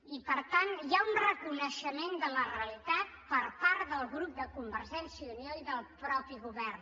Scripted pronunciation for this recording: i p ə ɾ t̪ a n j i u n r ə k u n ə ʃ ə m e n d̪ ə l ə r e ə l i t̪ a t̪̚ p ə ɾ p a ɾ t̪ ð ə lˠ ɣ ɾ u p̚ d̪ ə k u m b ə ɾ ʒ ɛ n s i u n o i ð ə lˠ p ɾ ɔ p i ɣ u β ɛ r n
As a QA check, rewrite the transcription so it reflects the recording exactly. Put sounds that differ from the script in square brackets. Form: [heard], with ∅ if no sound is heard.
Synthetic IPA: i p ə ɾ t̪ a n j [a] u n r ə k u n ə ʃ ə m e n d̪ ə l ə r e ə l i t̪ a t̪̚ p ə ɾ p a ɾ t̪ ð ə lˠ ɣ ɾ u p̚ d̪ ə k u m b ə ɾ ʒ ɛ n s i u n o i ð ə lˠ p ɾ ɔ p i ɣ u β ɛ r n